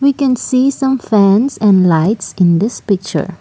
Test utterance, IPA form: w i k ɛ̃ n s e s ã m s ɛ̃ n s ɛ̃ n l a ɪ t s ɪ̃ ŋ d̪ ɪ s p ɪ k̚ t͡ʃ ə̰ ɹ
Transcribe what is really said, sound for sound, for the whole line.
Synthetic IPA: w i k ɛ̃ n s i s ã m f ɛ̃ n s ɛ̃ n l a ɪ t s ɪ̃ n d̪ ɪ s p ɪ k̚ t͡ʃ ə̰ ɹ